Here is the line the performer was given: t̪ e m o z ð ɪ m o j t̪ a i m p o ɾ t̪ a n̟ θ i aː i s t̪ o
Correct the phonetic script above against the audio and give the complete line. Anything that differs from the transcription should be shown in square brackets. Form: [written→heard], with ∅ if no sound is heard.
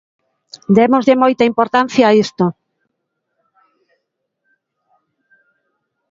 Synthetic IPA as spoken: [t̪→d̪] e m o z ð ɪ m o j t̪ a i m p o ɾ t̪ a n̟ θ [i→j] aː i s t̪ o